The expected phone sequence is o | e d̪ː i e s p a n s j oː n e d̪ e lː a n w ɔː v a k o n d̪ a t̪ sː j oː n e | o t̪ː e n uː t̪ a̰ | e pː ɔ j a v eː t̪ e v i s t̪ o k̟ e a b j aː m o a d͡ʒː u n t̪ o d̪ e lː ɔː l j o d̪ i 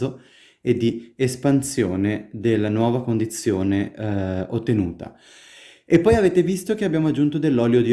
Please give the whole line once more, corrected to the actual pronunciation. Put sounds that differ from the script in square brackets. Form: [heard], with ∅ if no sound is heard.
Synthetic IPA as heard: o | e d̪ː i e s p a n s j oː n e d̪ e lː a n w ɔː v a k o n d̪ [i] t̪ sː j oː n e | o t̪ː e n uː t̪ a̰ | e pː ɔ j a v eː t̪ e v i s t̪ o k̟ e a b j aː m o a d͡ʒː u n t̪ o d̪ e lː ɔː l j o d̪ i